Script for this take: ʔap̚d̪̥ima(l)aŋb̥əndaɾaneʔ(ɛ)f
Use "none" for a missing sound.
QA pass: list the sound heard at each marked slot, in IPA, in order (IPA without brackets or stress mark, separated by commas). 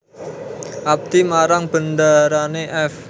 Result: ɾ, ɛ